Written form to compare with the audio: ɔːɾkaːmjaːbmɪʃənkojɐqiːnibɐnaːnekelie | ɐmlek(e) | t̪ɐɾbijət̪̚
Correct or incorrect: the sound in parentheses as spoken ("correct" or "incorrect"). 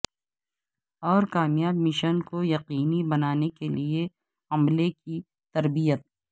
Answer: incorrect